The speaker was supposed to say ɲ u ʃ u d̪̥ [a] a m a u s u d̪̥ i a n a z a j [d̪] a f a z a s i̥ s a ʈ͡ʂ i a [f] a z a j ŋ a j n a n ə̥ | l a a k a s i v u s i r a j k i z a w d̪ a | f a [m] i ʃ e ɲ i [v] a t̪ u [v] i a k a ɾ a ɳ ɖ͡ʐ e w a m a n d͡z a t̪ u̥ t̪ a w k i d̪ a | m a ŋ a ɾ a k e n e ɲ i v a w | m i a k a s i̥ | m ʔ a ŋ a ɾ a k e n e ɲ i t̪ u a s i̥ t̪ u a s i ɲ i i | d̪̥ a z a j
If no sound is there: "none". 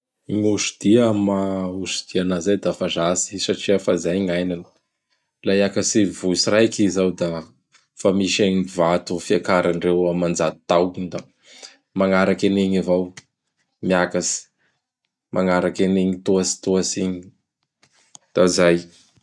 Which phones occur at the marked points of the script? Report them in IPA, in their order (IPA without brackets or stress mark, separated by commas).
i, d̪, f, m, v, f